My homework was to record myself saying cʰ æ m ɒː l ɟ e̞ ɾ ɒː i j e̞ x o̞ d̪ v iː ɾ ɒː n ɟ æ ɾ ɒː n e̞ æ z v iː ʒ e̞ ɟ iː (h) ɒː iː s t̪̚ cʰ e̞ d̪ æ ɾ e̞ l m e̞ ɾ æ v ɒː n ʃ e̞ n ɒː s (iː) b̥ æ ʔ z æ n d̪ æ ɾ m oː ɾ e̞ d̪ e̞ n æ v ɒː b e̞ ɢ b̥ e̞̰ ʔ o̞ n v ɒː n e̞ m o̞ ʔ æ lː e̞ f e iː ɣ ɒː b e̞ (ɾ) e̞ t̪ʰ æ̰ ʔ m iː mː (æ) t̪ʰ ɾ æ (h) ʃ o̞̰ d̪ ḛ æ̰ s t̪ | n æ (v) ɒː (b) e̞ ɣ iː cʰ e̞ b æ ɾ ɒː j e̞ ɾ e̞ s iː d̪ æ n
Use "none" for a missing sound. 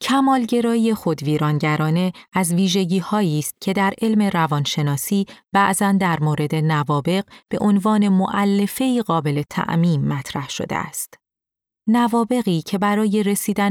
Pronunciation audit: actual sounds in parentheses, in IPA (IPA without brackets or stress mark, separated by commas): h, iː, l, æ, h, v, b